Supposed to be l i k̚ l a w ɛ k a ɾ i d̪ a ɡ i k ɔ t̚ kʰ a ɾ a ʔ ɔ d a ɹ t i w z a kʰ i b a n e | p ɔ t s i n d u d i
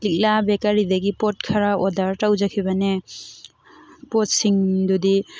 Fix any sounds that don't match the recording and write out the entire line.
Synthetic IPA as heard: l i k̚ l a b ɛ k a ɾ i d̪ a ɡ i p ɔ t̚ kʰ a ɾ a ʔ ɔ d a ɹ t a w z a kʰ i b a n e | p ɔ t s i ŋ d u d i